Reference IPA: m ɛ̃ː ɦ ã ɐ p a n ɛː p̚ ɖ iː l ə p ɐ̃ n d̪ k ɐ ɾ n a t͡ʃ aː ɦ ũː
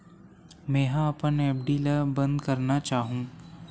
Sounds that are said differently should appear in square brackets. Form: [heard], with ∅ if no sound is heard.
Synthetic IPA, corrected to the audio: m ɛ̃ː ɦ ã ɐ p [ə] n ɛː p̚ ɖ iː l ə [b] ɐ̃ n d̪ k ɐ ɾ n a t͡ʃ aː ɦ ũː